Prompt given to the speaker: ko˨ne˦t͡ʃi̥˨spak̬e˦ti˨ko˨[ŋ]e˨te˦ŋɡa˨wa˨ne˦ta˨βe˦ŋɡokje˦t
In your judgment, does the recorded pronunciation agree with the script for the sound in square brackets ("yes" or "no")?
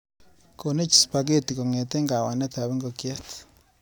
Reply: yes